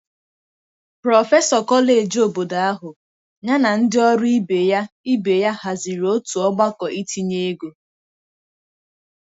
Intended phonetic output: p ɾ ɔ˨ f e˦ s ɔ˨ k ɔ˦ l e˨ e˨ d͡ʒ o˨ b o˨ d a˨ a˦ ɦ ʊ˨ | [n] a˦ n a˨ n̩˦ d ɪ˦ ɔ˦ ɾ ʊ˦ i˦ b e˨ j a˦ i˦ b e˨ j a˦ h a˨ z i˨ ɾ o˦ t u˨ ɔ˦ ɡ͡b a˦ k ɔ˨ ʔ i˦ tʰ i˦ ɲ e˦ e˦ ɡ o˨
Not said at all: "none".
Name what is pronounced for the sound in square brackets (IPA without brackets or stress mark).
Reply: ɲ